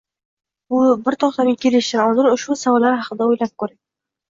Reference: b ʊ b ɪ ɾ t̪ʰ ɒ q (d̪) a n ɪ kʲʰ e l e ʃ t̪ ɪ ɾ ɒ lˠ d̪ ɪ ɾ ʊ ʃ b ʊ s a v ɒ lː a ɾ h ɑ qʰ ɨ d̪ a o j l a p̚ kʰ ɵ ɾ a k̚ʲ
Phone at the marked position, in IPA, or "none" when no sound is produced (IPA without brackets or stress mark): t̪